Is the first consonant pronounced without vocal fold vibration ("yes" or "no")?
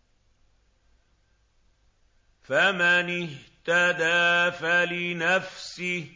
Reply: yes